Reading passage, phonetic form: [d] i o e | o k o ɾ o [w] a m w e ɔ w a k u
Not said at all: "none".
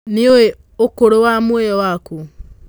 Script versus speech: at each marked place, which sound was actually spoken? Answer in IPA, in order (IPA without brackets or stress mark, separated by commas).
n, w